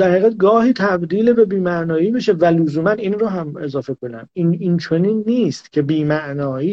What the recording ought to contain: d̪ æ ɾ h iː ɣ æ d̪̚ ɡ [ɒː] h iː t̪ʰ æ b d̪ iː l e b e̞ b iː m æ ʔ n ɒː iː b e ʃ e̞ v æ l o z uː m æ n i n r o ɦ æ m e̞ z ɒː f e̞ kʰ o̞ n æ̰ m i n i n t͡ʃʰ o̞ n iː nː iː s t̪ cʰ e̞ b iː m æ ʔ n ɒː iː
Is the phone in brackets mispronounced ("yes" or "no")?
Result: no